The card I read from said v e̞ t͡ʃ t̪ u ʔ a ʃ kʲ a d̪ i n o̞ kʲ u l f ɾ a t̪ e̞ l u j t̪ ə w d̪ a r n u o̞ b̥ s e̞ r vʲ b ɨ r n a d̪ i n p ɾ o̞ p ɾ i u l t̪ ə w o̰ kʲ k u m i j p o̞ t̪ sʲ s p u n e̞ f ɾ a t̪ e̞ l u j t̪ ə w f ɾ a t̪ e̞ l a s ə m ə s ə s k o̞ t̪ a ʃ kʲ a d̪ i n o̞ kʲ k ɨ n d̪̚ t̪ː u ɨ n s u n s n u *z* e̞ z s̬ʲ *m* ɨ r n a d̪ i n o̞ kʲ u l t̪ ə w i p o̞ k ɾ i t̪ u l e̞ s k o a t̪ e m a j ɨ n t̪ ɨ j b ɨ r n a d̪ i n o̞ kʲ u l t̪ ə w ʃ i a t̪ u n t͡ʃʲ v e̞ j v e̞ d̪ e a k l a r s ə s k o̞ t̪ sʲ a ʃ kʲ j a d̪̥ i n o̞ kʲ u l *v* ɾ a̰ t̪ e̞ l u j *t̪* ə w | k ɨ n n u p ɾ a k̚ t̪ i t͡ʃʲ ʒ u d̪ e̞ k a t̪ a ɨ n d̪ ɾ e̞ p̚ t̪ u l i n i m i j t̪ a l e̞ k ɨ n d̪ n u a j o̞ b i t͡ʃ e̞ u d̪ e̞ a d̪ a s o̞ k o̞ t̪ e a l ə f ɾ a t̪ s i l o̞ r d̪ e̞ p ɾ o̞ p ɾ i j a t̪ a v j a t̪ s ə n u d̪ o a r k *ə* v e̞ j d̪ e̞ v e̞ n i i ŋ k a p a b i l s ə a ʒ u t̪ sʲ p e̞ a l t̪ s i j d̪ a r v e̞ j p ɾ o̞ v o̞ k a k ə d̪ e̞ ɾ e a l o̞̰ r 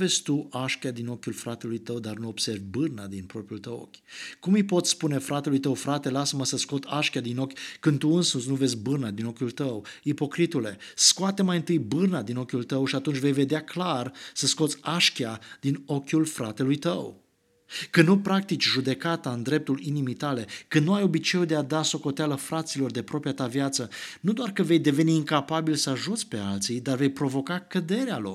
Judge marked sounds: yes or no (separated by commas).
no, no, no, yes, yes